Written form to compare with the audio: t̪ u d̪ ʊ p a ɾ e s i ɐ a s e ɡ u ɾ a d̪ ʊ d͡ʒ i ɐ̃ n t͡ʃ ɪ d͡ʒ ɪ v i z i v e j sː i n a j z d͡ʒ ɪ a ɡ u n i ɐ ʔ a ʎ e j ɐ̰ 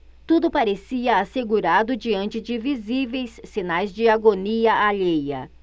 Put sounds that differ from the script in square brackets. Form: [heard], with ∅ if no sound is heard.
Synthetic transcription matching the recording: t̪ u d̪ ʊ p a ɾ e s i ɐ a s e ɡ u ɾ a d̪ ʊ d͡ʒ i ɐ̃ n t͡ʃ ɪ d͡ʒ ɪ v i z i v e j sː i n a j z d͡ʒ ɪ a ɡ [o] n i ɐ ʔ a ʎ e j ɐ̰